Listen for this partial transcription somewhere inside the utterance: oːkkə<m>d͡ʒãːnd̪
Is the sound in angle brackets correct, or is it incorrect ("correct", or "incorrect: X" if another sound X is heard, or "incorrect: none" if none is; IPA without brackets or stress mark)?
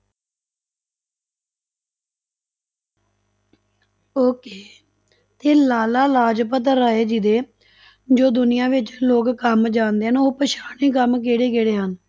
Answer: correct